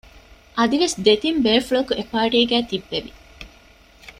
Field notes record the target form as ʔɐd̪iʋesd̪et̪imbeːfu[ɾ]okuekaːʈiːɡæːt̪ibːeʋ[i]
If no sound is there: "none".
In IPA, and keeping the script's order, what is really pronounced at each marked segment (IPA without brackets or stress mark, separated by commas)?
ɭ, i